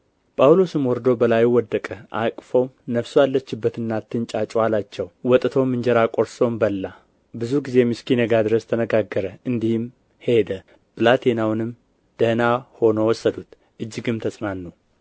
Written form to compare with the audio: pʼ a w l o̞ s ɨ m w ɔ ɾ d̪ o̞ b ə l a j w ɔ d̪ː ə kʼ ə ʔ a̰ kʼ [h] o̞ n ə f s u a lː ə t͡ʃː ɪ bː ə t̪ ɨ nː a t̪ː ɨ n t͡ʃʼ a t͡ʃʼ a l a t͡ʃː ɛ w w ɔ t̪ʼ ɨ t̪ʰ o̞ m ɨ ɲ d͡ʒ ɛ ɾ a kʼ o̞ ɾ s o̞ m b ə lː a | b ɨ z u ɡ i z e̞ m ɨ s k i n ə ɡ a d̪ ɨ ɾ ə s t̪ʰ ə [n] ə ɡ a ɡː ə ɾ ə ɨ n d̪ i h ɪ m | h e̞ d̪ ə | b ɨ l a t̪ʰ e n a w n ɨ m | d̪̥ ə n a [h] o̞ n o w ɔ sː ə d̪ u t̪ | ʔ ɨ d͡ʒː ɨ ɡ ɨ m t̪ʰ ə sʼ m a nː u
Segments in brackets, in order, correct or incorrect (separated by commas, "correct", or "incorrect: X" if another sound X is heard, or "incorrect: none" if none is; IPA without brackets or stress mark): incorrect: f, correct, correct